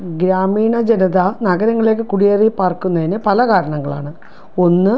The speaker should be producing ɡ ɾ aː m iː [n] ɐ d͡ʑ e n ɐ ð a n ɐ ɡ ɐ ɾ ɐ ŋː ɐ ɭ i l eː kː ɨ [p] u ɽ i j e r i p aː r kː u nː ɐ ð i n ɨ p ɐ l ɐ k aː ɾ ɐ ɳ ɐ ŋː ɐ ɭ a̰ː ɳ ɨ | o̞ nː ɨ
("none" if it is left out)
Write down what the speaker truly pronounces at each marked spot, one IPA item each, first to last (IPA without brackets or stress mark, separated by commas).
ɳ, k